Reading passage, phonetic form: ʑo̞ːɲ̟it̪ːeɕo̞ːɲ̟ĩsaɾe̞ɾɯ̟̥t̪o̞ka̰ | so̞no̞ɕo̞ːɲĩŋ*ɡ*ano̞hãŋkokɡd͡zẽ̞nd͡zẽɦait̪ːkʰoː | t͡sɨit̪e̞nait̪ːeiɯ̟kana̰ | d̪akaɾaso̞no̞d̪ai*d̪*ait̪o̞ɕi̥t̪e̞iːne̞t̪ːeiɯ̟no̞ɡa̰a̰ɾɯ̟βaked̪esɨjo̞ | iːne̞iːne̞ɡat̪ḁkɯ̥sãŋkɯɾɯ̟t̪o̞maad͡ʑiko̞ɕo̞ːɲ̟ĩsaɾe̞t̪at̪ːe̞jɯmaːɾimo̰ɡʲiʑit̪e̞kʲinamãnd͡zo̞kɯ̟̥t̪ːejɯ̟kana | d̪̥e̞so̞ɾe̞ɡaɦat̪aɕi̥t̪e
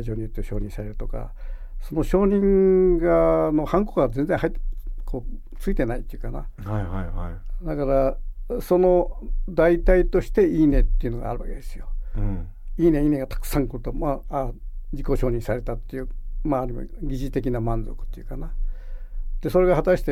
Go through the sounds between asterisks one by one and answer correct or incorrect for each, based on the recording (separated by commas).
correct, incorrect